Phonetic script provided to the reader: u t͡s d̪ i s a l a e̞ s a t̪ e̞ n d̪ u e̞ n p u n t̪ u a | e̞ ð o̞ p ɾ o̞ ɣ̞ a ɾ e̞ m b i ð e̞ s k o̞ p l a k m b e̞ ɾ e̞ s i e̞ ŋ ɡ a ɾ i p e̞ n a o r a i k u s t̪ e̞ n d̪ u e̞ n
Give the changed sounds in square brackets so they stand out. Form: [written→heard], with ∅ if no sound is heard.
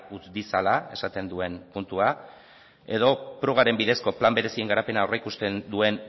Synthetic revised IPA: u t͡s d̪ i s a l a e̞ s a t̪ e̞ n d̪ u e̞ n p u n t̪ u a | e̞ ð o̞ p ɾ o̞ ɣ̞ a ɾ e̞ m b i ð e̞ s k o̞ p l a [k→∅] m b e̞ ɾ e̞ s i e̞ ŋ ɡ a ɾ [i→a] p e̞ n a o r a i k u s t̪ e̞ n d̪ u e̞ n